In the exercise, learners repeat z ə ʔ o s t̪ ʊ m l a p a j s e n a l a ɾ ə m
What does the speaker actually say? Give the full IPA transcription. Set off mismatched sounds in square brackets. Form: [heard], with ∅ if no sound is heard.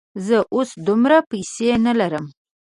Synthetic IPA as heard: z ə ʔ o s [d̪] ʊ m [ɾ] a p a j s e n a l a ɾ ə m